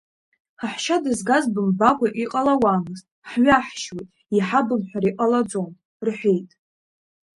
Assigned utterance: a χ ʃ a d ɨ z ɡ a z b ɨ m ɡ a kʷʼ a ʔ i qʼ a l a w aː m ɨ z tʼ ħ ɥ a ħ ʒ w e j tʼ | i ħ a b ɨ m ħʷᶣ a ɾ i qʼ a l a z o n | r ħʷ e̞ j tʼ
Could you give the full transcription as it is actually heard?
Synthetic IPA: a ħ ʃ a d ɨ z ɡ a z b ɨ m b a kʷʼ a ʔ i qʼ a l a w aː m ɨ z tʼ ħ ɥ a ħ ʃ w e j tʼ | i ħ a b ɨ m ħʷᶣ a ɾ i qʼ a l a d͡z o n | r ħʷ e̞ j tʼ